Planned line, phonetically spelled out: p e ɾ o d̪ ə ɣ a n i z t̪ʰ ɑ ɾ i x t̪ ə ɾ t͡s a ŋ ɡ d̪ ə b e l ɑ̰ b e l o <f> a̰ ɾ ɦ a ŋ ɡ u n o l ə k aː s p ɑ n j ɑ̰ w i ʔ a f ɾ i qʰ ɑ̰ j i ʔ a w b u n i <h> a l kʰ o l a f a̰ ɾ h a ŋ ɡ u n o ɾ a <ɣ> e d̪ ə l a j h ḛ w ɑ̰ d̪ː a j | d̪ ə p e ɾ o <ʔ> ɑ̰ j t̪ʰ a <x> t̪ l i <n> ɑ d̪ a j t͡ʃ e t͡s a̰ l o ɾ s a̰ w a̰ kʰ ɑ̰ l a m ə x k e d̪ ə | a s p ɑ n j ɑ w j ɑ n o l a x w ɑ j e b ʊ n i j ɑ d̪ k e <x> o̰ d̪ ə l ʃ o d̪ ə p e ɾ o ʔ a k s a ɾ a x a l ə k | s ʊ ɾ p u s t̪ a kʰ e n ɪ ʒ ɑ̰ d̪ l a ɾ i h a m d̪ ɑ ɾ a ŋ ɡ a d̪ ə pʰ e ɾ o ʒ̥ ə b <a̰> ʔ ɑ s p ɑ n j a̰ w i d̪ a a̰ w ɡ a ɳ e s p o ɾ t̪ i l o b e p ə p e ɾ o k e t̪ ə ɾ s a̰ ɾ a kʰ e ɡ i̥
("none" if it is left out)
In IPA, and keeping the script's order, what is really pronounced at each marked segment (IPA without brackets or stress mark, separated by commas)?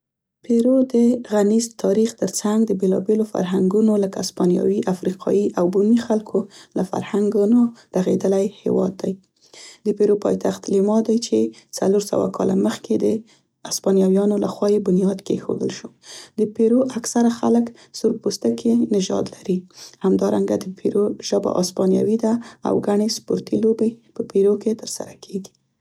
f, x, ɣ, p, x, m, x, a̰